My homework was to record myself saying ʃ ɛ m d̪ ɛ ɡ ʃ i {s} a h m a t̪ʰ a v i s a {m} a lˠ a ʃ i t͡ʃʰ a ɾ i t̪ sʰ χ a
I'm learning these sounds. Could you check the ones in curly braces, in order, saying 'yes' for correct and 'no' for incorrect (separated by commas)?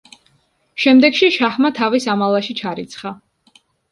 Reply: no, yes